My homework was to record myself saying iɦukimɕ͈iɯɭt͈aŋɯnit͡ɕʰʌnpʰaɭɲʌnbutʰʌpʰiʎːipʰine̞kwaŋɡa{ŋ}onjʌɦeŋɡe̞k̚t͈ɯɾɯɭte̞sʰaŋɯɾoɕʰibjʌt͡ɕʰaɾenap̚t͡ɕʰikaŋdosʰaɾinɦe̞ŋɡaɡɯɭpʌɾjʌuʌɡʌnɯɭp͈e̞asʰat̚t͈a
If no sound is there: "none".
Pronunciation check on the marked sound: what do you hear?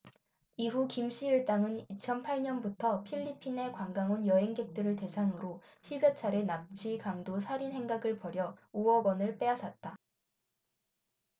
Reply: ŋ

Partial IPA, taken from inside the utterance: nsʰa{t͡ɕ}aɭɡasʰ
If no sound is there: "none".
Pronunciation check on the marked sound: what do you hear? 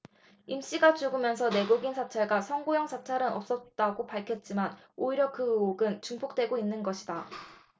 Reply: t͡ɕʰ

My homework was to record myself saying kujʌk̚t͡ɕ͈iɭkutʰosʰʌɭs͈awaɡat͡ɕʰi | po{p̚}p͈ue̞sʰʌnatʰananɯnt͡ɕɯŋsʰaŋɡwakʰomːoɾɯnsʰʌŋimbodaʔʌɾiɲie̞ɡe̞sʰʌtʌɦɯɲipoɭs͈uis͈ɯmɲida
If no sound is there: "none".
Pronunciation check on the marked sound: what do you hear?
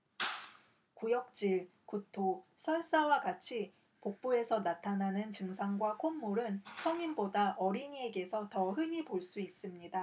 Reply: k̚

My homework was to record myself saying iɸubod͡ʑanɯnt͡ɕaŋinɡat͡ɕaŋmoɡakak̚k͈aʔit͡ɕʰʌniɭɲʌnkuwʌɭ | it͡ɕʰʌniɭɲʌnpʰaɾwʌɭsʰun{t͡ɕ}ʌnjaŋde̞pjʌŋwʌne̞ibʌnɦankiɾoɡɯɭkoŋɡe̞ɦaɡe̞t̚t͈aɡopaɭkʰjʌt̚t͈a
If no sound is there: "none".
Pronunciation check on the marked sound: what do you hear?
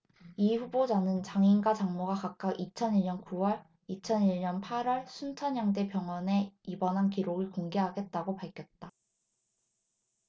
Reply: t͡ɕʰ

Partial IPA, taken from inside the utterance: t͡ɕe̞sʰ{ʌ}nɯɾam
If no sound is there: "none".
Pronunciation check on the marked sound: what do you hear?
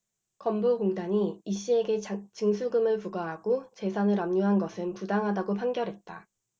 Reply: a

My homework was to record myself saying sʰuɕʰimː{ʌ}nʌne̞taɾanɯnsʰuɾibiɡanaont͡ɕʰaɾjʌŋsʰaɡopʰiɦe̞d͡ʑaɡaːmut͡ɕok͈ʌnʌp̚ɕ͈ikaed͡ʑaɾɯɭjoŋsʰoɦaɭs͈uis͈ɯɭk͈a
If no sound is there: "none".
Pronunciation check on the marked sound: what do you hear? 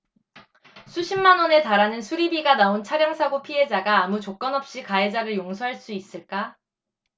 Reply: a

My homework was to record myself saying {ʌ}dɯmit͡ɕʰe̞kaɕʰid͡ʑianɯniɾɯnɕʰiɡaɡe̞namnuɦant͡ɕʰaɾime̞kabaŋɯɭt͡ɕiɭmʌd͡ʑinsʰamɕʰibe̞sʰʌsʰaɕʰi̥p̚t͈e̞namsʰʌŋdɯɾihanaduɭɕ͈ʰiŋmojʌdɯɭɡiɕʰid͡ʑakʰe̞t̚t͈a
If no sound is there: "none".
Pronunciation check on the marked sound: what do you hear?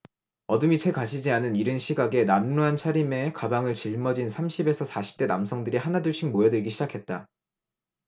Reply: ʌ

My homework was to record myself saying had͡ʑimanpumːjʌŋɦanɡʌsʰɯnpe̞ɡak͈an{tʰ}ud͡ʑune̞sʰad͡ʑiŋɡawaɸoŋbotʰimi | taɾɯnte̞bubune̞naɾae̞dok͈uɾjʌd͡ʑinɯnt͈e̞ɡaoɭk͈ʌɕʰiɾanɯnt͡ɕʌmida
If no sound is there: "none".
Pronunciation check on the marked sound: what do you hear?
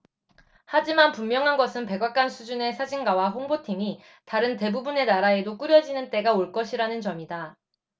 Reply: sʰ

